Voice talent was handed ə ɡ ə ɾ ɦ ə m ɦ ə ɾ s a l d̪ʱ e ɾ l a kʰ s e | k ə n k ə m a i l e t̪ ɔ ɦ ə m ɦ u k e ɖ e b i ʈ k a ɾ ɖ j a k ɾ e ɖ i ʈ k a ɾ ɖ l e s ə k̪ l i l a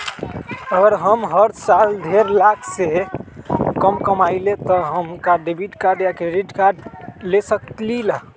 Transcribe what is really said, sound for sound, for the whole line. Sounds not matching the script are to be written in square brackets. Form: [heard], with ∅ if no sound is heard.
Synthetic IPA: ə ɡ ə ɾ ɦ ə m ɦ ə ɾ s a l d̪ʱ e ɾ l a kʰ s e | k ə [m] k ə m a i l e t̪ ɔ ɦ ə m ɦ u k [a] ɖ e b i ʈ k a ɾ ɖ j a k ɾ e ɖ i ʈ k a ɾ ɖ l e s ə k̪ l i l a

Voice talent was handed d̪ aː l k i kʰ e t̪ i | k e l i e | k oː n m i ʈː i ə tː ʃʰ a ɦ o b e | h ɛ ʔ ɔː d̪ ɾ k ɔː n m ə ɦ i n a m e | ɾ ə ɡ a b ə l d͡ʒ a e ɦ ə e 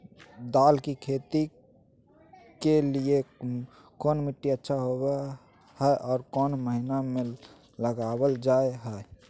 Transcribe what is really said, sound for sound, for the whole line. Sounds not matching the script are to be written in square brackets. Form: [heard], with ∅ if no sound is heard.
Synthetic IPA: d̪ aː l k i kʰ e t̪ i | k e l i e | k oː n m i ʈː i ə tː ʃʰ a ɦ o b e | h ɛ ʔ ɔː [∅] ɾ k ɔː n m ə ɦ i n a m e | [l] ə ɡ a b ə l d͡ʒ a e ɦ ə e

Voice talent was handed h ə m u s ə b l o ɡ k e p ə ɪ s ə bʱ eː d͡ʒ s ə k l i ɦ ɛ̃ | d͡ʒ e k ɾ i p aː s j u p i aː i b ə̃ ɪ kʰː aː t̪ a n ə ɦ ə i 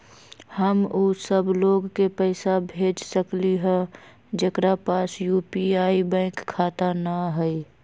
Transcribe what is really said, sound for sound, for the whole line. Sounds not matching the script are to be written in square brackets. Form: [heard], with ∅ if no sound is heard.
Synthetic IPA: h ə m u s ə b l o ɡ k e p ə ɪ s [a] bʱ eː d͡ʒ s ə k l i ɦ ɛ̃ | d͡ʒ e k ɾ [a] p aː s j u p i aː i b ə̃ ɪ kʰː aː t̪ a n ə ɦ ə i

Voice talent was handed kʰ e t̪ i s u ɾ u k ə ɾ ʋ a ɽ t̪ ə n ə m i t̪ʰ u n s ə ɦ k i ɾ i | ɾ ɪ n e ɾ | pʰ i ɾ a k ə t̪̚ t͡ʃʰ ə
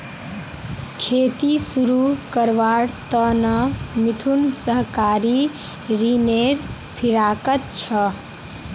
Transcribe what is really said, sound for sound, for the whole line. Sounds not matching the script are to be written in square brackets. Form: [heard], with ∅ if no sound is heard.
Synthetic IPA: kʰ e t̪ i s u ɾ u k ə ɾ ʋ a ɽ t̪ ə n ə m i t̪ʰ u n s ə ɦ k [a] ɾ i | ɾ [i] n e ɾ | pʰ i ɾ a k ə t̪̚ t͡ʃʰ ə

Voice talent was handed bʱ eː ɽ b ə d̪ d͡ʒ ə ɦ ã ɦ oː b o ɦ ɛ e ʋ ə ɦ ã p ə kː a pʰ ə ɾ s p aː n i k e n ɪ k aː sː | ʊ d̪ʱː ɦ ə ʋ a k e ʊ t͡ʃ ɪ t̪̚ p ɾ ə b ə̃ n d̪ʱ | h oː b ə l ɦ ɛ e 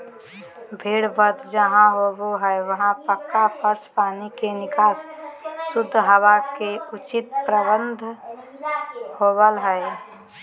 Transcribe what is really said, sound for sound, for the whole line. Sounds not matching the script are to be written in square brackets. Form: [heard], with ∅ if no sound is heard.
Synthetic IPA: bʱ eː ɽ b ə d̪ d͡ʒ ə ɦ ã ɦ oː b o ɦ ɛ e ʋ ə ɦ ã p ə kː a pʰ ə ɾ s p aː n i k e n ɪ k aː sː | ʊ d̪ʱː ɦ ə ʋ a k e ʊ t͡ʃ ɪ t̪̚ p ɾ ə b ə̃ n d̪ʱ | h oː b ə l ɦ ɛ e

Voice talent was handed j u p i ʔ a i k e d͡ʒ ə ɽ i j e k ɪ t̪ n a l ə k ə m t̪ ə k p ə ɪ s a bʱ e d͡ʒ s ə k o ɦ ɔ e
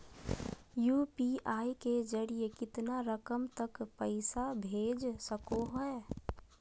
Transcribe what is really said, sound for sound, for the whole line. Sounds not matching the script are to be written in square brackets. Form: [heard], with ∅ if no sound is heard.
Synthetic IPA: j u p i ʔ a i k e d͡ʒ ə ɽ i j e k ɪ t̪ n a [ɾ] ə k ə m t̪ ə k p ə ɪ s a bʱ e d͡ʒ s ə k o ɦ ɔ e

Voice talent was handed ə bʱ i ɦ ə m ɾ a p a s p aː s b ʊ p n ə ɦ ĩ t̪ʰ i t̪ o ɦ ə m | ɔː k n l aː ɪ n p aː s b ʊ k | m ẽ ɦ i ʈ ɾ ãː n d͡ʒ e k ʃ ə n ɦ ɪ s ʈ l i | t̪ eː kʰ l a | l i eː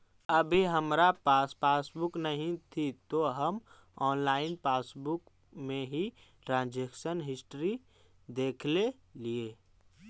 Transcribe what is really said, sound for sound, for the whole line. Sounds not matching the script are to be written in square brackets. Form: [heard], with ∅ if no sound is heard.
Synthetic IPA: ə bʱ i ɦ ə m ɾ a p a s p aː s b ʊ [k] n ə ɦ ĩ t̪ʰ i t̪ o ɦ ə m | ɔː [∅] n l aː ɪ n p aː s b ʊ k | m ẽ ɦ i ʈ ɾ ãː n d͡ʒ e k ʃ ə n ɦ ɪ s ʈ [ɾ] i | [d̪] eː kʰ l [e] | l i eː

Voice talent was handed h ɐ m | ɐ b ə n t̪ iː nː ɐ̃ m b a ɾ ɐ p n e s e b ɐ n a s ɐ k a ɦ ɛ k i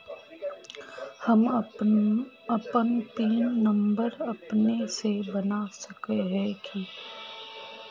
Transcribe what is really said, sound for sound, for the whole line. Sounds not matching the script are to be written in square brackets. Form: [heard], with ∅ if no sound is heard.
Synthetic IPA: h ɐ m | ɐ [p] ə n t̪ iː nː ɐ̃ m b [ə] ɾ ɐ p n e s e b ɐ n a s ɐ k [e] ɦ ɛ k i

